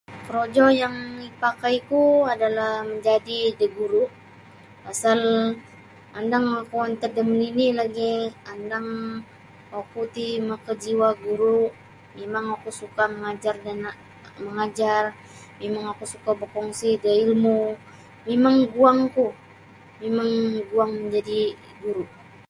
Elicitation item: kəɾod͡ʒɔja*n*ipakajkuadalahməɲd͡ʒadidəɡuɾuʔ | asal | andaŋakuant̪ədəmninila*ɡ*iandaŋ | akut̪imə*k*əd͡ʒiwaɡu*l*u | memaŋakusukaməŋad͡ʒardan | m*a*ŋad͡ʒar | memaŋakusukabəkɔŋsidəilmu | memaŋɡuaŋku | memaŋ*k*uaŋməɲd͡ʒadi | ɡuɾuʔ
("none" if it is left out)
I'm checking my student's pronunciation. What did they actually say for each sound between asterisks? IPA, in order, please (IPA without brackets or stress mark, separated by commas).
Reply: ŋ, ɡ, k, ɾ, ə, ɡ